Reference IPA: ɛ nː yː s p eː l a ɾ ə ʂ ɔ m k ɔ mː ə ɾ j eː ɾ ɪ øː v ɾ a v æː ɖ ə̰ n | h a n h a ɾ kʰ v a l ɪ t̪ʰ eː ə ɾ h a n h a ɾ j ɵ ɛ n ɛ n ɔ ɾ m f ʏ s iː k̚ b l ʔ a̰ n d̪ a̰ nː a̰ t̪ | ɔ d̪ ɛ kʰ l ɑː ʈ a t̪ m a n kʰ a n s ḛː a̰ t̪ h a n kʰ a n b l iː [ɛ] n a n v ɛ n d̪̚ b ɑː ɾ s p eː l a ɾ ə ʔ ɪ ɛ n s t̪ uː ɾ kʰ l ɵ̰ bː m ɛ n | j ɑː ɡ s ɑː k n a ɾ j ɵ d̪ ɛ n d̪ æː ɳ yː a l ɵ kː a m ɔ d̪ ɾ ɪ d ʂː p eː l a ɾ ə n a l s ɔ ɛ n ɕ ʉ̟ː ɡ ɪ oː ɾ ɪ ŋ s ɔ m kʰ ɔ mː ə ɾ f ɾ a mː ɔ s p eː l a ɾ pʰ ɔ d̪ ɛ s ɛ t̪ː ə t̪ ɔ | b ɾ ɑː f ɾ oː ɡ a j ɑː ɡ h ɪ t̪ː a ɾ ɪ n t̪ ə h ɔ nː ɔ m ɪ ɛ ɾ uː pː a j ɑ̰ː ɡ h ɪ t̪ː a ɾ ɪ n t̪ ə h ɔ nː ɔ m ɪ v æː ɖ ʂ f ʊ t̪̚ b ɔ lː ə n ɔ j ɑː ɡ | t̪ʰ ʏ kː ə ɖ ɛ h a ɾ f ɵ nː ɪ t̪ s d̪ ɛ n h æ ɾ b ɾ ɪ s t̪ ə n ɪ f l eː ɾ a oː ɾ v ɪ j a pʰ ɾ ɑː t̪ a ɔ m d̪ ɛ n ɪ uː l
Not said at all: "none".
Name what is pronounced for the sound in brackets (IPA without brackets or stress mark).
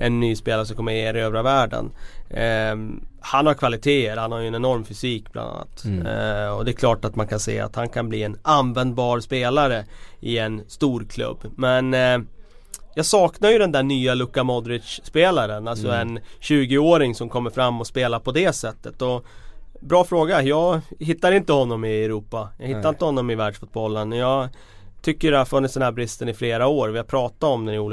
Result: ɛ